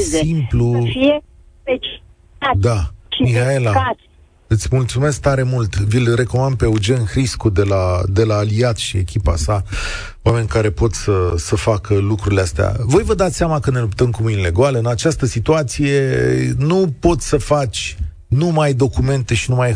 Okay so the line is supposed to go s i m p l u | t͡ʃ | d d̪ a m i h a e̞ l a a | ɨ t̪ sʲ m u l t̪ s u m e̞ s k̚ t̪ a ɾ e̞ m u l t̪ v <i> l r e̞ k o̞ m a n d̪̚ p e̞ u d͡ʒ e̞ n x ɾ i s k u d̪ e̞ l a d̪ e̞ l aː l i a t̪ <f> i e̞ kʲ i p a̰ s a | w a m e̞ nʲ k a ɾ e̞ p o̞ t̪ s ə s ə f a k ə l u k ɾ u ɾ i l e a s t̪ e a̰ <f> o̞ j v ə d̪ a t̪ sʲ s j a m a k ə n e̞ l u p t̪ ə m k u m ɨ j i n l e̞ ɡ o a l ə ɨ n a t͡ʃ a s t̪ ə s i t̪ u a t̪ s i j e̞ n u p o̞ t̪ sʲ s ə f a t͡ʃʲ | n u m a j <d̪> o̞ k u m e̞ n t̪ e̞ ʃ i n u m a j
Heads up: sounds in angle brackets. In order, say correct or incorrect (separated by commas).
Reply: correct, incorrect, incorrect, correct